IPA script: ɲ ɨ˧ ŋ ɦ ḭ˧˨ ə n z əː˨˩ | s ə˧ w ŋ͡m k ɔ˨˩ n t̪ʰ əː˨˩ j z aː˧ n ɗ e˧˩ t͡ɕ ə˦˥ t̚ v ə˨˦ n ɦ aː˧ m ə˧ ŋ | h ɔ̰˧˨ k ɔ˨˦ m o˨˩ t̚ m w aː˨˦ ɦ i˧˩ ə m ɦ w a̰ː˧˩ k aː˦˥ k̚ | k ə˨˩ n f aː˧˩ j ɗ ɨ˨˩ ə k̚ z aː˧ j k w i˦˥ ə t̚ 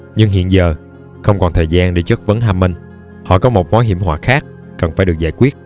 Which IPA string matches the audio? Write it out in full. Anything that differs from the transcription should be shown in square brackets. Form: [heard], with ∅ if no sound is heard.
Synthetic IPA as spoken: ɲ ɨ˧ ŋ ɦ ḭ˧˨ ə n z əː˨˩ | [x] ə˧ w ŋ͡m k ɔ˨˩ n t̪ʰ əː˨˩ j z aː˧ n ɗ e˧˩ t͡ɕ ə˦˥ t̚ v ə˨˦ n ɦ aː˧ m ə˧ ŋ | h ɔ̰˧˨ k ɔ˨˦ m o˨˩ t̚ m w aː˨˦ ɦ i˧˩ ə m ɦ w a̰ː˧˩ [x] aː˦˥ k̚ | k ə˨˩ n f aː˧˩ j ɗ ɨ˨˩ ə k̚ z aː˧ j k w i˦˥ ə t̚